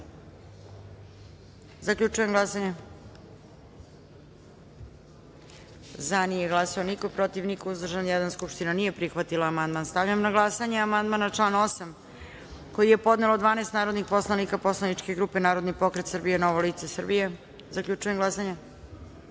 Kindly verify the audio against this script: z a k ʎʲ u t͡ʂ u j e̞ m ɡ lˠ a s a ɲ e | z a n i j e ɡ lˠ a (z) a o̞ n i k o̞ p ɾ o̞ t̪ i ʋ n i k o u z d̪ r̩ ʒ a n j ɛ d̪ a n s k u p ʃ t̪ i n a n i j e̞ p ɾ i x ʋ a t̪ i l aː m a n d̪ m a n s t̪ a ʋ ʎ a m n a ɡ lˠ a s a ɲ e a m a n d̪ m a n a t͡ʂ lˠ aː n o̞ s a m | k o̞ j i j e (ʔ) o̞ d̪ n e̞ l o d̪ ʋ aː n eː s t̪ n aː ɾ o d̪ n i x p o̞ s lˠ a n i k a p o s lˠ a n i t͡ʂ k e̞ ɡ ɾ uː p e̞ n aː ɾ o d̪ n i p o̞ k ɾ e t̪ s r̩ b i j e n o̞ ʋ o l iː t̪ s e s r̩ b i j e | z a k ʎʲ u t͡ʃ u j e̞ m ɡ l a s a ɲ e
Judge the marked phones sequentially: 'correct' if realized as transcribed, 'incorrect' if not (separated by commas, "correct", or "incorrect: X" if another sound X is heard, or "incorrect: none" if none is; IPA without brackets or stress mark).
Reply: incorrect: s, incorrect: p